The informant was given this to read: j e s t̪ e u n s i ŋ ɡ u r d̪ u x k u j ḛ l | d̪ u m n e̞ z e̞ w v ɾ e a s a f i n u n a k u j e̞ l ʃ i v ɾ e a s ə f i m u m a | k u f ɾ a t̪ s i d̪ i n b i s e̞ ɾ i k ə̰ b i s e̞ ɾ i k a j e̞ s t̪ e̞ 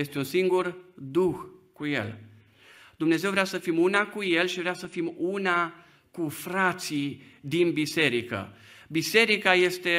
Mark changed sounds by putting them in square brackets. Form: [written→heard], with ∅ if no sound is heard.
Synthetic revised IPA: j e s t̪ e u n s i ŋ ɡ u r d̪ u x k u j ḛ l | d̪ u m n e̞ z e̞ w v ɾ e a s [a→ə] f i [n→m] u n a k u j e̞ l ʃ i v ɾ e a s ə f i m u [m→n] a | k u f ɾ a t̪ s i d̪ i n b i s e̞ ɾ i k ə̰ b i s e̞ ɾ i k a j e̞ s t̪ e̞